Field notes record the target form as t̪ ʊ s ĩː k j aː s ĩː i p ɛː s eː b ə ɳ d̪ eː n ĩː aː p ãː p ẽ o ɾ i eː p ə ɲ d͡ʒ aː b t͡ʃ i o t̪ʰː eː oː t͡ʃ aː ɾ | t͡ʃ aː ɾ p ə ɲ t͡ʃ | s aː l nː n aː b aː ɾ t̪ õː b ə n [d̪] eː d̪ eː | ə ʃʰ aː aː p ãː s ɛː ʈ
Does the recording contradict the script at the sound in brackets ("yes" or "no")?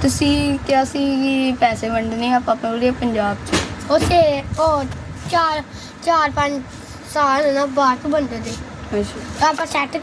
no